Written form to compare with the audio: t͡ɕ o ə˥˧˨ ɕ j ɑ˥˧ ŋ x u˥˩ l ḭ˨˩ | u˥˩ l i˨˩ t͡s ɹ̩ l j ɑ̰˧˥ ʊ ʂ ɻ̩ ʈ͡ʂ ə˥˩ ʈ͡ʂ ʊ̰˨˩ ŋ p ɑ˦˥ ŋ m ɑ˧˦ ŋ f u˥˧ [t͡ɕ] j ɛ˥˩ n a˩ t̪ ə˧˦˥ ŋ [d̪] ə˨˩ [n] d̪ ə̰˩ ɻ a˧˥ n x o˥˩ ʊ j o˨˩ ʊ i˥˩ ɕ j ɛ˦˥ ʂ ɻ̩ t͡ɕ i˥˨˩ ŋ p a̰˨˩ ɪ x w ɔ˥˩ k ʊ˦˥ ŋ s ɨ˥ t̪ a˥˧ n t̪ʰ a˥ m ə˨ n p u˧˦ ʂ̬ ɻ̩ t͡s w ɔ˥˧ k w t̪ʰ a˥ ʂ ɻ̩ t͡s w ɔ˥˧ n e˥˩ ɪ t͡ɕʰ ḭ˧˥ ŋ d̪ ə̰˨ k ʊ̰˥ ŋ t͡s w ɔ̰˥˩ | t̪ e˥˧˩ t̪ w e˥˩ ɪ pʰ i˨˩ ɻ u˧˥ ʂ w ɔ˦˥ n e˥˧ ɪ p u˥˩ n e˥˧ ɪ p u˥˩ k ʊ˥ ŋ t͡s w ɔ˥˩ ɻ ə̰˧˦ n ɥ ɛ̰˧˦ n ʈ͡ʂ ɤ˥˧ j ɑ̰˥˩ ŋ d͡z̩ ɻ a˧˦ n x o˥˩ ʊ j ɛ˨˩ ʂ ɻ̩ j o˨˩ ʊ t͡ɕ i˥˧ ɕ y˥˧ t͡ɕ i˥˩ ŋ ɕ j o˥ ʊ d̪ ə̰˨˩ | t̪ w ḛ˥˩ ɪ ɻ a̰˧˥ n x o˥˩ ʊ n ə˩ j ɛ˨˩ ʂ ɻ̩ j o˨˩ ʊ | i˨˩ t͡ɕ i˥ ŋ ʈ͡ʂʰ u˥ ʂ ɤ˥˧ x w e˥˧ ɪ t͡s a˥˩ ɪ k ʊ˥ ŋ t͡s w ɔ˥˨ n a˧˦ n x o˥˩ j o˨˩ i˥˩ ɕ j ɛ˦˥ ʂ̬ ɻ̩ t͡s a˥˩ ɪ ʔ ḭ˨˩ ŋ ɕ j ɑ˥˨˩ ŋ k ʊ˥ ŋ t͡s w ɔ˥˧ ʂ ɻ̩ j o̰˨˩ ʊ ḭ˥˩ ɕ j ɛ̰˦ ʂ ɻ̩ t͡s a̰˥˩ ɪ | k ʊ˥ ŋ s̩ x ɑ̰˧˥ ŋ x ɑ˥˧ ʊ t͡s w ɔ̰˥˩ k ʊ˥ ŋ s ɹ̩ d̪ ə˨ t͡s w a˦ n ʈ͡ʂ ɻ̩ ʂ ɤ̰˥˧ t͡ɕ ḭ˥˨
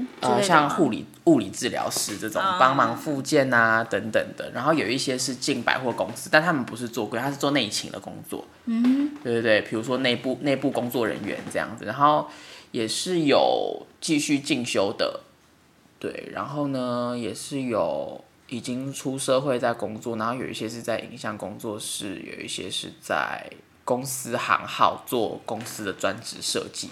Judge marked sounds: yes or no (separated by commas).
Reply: yes, no, no